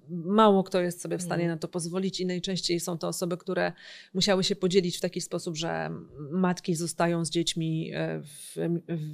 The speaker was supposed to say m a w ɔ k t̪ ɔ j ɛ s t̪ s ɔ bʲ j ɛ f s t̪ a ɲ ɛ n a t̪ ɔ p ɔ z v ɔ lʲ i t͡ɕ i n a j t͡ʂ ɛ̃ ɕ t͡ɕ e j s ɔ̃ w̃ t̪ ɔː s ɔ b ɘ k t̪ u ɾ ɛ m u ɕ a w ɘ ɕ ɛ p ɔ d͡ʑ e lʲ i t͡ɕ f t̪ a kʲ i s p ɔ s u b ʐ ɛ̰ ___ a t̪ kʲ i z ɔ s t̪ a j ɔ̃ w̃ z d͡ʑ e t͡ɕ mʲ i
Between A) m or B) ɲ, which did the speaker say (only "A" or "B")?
A